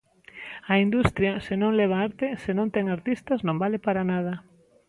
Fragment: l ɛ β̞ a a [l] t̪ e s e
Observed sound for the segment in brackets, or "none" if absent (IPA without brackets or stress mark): ɾ